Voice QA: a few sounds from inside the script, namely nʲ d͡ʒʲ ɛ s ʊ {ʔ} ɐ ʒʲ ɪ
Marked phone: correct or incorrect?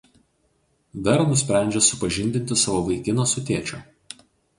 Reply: incorrect